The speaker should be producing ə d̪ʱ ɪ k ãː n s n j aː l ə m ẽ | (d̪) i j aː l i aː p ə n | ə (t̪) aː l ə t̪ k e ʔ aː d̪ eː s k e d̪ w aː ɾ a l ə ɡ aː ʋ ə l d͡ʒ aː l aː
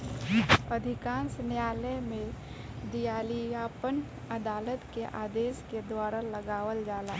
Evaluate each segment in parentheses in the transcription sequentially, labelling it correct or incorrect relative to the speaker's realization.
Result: correct, incorrect: d̪

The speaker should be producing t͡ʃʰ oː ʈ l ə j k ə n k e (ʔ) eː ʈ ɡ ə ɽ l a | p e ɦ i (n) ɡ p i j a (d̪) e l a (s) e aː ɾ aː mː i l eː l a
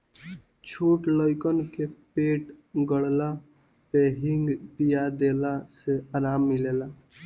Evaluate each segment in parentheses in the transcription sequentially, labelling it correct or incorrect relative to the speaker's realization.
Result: incorrect: p, incorrect: ŋ, correct, correct

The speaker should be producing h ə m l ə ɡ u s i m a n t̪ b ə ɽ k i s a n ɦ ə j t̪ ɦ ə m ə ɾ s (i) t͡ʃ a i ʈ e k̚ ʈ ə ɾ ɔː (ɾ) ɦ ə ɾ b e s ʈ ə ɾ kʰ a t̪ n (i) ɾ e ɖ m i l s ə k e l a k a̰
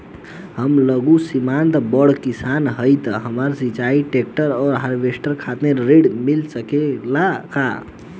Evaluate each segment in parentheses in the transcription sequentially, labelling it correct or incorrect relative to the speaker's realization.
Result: correct, correct, incorrect: e

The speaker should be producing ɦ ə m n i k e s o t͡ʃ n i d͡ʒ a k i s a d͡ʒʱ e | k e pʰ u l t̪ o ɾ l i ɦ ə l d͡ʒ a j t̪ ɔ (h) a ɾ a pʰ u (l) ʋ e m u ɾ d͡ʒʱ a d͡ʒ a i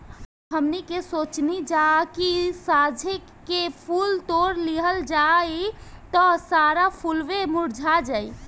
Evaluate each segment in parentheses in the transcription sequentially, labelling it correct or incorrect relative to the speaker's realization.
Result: incorrect: s, correct

